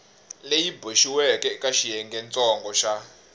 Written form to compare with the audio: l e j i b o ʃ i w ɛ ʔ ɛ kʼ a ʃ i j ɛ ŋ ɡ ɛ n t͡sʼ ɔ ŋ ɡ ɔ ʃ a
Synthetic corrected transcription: l e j i b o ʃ i w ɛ k ɛ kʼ a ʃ i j ɛ ŋ ɡ ɛ n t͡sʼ ɔ ŋ ɡ ɔ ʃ a